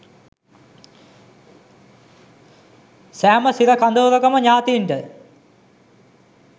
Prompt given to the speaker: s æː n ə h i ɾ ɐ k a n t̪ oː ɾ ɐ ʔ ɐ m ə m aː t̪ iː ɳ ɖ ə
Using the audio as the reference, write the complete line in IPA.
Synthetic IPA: s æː m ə s i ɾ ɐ k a n d̪ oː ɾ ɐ k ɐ m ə ɲ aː t̪ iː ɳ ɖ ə

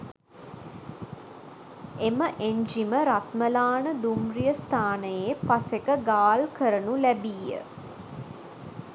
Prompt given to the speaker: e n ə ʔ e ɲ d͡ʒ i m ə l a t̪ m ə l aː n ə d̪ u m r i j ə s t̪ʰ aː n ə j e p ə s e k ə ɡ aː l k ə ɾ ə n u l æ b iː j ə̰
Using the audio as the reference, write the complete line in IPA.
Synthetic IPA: e m ə ʔ e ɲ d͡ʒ i m ə ɾ a t̪ m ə l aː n ə d̪ u m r i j ə s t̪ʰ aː n ə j e p a s e k ə ɡ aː l k ə ɾ ə n u l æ b iː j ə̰

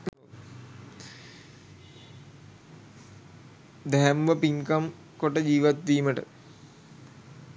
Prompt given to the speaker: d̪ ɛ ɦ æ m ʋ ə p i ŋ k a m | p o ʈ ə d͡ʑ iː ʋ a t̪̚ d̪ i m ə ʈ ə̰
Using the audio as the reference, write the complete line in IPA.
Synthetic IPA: d̪ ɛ ɦ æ m ʋ ə p i ŋ k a m | k o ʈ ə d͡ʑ iː ʋ a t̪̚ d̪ iː m ə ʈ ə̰

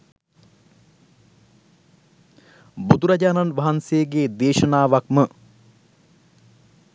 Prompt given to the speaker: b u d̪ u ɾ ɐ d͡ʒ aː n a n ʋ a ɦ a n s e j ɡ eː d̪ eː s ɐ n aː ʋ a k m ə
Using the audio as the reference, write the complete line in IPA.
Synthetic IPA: b u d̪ u ɾ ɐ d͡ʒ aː n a n ʋ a ɦ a n s e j ɡ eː d̪ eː ʃ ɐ n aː ʋ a k m ə

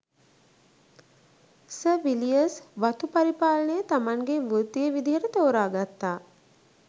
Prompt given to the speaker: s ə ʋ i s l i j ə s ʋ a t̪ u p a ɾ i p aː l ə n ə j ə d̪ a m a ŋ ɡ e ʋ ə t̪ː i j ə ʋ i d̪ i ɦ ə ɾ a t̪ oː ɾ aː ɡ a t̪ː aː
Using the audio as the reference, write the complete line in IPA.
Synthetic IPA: s ə ʋ i l i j ə s ʋ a t̪ u p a ɾ i p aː l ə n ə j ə t̪ a m a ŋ ɡ e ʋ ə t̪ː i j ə ʋ i d̪ i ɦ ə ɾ ə t̪ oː ɾ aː ɡ a t̪ː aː

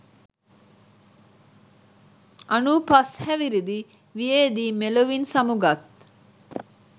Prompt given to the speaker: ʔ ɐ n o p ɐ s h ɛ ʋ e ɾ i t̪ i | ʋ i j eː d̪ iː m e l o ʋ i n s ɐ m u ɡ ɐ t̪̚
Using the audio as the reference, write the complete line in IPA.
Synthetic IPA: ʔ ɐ n u p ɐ s h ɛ ʋ i ɾ i d̪ i | ʋ i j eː d̪ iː m e l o ʋ i n s ɐ m u ɡ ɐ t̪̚

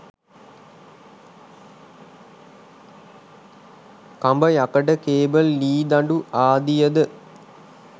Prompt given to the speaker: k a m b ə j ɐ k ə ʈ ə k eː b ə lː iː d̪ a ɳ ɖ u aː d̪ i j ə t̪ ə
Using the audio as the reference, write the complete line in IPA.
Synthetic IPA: k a m b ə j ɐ k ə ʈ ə k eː b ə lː iː d̪ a ɳ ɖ u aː d̪ i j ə d̪ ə

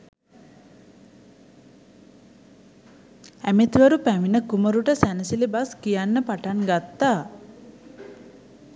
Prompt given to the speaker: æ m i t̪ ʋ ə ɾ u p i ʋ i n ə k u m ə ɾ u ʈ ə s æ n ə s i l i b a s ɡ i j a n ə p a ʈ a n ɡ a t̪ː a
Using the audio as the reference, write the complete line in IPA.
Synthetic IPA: æ m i t̪ ʋ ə ɾ u p æ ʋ i n ə k u m ə ɾ u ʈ ə s æ n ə s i l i b a s k i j a nː ə p a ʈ a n ɡ a t̪ː a

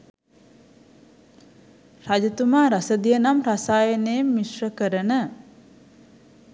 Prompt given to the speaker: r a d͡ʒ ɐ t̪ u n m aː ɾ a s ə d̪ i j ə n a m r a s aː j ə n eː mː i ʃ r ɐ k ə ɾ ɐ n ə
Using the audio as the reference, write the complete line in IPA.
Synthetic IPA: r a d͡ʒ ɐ t̪ u m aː ɾ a s ə d̪ i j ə n a m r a s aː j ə n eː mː i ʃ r ə k ə ɾ ə n ə

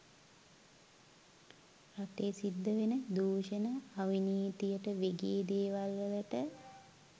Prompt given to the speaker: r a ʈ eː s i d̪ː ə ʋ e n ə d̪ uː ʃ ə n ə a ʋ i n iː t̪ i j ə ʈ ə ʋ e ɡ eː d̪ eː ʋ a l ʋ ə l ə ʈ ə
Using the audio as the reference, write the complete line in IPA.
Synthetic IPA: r a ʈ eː s i d̪ː ə ʋ e n ə d̪ uː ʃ ə n ə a ʋ i n iː t̪ i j ə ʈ ə ʋ e ɡ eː d̪ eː ʋ a l ʋ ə l ə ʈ ə

